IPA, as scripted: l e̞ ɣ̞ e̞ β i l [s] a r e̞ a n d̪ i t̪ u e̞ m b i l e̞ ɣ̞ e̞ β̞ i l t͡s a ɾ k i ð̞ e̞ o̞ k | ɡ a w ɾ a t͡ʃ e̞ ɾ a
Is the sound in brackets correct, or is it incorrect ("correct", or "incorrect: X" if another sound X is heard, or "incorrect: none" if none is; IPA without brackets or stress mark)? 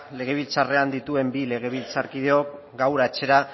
incorrect: t͡s